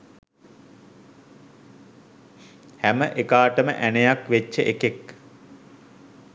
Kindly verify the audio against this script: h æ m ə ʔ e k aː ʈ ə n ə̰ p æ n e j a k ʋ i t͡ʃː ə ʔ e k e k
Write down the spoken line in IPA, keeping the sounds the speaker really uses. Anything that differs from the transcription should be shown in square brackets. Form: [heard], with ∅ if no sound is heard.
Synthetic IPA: h æ m ə ʔ e k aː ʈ ə [m] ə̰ [ʔ] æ n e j a k ʋ [e] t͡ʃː ə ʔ e k e k